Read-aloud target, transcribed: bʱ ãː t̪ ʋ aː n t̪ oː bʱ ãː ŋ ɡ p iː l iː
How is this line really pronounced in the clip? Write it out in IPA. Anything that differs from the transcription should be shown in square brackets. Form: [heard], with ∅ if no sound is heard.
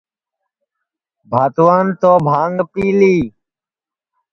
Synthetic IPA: bʱ [aː] t̪ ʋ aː n t̪ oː bʱ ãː ŋ ɡ p iː l iː

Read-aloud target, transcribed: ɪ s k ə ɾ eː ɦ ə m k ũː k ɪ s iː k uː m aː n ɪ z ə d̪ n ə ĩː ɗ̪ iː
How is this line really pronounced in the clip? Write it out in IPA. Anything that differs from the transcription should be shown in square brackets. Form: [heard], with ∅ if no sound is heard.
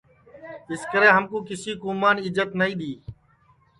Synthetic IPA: ɪ s k ə ɾ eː ɦ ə m k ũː k ɪ s iː k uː m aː n ɪ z ə [t̪] n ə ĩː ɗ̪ iː

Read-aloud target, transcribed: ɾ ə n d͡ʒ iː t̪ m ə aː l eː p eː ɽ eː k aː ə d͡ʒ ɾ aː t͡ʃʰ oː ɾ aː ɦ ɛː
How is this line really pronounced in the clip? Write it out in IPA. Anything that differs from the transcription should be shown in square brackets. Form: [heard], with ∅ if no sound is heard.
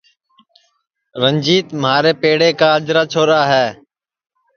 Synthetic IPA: ɾ ə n d͡ʒ iː t̪ m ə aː [ɾ] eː p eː ɽ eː k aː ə d͡ʒ ɾ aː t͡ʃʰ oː ɾ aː ɦ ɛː

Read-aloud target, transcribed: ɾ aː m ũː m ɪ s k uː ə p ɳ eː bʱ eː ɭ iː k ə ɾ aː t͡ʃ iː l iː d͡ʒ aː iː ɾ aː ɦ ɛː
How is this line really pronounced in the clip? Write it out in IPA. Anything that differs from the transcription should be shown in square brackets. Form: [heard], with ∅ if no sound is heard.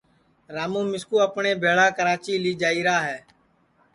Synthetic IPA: ɾ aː m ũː m ɪ s k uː ə p ɳ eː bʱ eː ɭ [aː] k ə ɾ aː t͡ʃ iː l iː d͡ʒ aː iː ɾ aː ɦ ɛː

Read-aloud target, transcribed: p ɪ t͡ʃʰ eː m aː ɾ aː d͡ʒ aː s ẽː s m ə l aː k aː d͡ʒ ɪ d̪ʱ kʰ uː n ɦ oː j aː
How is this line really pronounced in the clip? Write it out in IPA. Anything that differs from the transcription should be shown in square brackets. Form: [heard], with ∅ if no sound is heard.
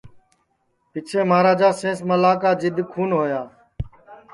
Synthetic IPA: p ɪ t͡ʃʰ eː m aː ɾ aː d͡ʒ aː s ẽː s m ə l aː k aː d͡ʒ ɪ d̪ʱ kʰ uː n ɦ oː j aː

